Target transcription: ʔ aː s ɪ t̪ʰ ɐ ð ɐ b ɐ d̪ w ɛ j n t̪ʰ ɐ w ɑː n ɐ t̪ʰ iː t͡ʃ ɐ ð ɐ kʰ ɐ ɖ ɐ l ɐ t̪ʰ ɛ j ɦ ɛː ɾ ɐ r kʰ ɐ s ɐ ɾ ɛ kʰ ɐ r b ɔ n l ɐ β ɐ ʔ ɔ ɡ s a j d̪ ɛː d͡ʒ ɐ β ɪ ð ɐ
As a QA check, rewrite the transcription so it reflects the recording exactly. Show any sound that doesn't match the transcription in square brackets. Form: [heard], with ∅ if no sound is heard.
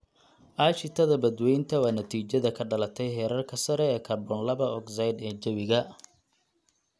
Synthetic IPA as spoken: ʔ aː [ʃ] ɪ t̪ʰ ɐ ð ɐ b ɐ d̪ w ɛ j n t̪ʰ ɐ w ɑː n ɐ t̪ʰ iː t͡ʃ ɐ ð ɐ kʰ ɐ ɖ ɐ l ɐ t̪ʰ ɛ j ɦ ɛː ɾ ɐ r kʰ ɐ s ɐ ɾ [ɛː] kʰ ɐ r b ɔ n l ɐ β ɐ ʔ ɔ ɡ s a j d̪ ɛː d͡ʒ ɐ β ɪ [ɣ] ɐ